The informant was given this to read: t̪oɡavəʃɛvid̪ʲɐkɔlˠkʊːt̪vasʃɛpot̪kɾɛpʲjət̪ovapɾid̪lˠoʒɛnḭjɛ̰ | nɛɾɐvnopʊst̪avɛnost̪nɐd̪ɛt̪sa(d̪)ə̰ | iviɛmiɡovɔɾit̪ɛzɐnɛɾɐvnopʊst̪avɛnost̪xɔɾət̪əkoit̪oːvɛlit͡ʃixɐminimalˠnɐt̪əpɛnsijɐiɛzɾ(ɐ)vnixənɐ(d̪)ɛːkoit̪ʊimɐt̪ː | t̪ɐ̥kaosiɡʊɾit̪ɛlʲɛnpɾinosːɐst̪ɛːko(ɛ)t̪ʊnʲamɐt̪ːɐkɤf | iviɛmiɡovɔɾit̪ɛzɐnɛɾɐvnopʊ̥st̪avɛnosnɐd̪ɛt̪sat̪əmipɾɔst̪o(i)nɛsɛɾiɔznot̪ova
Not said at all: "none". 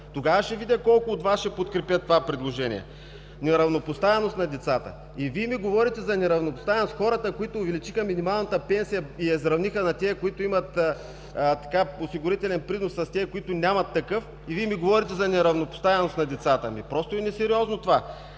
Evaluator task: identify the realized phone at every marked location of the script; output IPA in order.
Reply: t̪, ɐ, t̪, i, ɛ

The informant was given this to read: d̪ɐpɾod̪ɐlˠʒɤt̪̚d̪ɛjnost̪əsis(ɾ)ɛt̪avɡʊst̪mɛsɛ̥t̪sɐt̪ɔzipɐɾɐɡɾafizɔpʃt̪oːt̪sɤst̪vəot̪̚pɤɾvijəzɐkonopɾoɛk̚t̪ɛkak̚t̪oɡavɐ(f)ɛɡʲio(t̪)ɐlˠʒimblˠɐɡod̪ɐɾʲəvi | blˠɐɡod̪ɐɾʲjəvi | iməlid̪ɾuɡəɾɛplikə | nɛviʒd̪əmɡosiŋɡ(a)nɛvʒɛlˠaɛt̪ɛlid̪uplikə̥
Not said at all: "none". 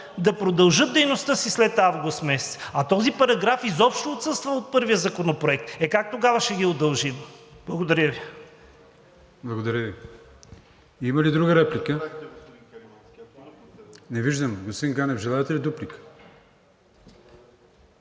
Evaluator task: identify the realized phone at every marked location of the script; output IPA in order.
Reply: l, ʃ, d̪, a

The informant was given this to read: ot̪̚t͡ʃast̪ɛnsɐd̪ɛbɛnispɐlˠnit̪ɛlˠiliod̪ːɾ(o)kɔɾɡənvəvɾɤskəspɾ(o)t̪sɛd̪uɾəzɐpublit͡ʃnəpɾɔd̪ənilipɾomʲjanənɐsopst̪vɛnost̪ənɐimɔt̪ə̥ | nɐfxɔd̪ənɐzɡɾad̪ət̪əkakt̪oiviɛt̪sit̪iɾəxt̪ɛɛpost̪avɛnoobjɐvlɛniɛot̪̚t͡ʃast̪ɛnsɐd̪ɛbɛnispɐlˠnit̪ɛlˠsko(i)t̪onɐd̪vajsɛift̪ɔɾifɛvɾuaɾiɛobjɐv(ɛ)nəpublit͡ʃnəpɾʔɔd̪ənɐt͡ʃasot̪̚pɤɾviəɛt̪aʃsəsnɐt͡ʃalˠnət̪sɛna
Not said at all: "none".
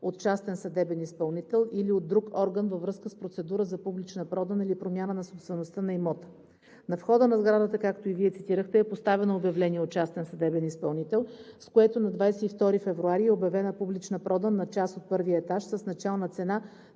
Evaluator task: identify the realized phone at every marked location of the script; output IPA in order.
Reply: u, o, ɛ, ɛ

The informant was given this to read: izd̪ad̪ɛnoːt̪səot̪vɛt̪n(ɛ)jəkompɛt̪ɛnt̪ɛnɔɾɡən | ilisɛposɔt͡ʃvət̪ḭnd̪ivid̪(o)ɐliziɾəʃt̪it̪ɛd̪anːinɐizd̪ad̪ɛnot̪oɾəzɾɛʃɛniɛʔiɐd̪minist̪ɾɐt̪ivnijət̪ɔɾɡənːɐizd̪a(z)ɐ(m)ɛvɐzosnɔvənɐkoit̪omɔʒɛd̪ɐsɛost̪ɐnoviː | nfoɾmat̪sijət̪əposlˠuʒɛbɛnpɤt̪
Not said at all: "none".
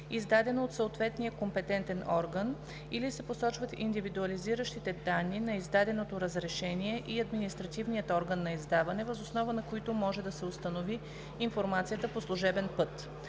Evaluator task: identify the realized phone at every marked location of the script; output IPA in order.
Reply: i, u, v, n

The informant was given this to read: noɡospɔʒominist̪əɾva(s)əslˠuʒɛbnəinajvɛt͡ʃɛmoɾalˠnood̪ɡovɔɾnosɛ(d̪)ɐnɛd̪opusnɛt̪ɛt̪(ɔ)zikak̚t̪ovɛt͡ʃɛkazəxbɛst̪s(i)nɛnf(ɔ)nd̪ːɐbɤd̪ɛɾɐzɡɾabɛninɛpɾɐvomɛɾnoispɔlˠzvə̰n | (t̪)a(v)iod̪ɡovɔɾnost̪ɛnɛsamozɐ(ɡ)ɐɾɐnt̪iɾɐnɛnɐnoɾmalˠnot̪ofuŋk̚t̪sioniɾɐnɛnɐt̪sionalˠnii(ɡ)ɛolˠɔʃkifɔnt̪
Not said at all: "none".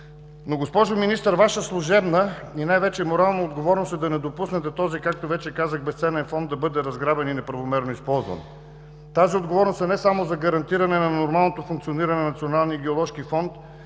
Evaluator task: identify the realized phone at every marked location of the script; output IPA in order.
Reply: ʃ, d̪, ɔ, ɛ, ɔ, t̪, z, ɡ, ɡ

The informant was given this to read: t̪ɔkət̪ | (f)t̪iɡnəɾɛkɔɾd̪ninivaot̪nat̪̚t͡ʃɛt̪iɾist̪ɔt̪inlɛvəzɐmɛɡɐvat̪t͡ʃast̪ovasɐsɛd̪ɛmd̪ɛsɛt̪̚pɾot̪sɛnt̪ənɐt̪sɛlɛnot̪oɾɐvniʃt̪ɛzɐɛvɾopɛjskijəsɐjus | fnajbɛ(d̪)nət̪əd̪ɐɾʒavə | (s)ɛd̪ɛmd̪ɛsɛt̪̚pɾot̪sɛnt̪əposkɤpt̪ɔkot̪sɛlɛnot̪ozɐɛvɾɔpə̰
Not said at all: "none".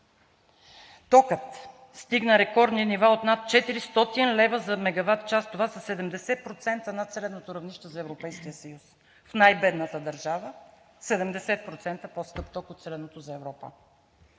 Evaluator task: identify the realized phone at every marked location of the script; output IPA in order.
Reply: s, d̪, s

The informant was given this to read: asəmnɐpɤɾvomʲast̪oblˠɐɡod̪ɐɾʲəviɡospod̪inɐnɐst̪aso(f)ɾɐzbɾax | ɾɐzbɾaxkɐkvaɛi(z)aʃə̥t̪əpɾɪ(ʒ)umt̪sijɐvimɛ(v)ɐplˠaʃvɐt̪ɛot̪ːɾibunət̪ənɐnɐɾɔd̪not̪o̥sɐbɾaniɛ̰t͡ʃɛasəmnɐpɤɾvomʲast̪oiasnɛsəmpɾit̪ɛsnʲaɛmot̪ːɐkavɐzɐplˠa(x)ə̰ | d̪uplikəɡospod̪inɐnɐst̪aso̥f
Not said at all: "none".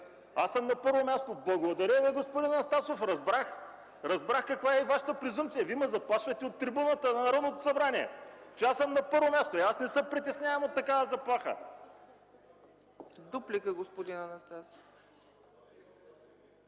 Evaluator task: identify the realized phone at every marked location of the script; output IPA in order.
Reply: f, v, z, z, x

